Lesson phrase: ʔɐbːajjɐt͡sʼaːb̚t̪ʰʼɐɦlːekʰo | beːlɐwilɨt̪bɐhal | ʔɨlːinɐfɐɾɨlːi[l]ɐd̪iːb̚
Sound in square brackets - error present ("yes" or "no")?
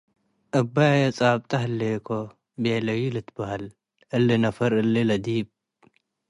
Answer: no